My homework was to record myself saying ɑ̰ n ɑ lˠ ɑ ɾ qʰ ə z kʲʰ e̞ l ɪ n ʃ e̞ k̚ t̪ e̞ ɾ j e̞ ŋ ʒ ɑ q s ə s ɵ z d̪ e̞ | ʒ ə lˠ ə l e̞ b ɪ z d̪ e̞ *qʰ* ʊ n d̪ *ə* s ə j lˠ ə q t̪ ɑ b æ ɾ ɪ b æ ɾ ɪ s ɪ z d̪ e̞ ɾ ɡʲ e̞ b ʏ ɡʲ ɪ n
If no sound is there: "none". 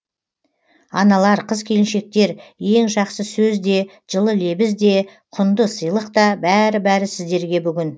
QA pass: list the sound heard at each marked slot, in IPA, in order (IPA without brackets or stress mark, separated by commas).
qʰ, ə